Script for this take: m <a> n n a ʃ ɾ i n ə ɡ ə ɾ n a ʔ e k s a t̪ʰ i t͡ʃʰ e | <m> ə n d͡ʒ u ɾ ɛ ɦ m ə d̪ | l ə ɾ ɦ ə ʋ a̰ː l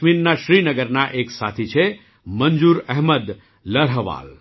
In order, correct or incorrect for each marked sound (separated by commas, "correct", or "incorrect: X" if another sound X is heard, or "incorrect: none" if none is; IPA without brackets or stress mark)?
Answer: incorrect: i, correct